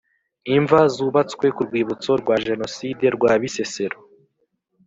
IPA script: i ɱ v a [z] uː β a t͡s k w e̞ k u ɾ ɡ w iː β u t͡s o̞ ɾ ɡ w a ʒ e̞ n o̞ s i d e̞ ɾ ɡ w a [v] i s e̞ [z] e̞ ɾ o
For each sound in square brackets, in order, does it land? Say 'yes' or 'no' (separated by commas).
yes, no, no